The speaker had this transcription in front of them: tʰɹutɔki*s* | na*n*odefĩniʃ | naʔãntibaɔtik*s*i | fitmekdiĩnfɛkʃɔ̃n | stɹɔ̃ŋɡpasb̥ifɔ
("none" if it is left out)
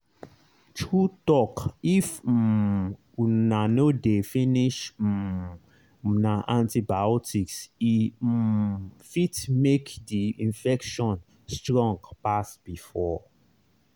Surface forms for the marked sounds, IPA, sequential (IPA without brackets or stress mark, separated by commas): f, n, s